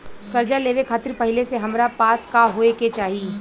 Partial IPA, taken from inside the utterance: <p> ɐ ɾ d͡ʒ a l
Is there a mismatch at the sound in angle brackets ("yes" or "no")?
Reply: yes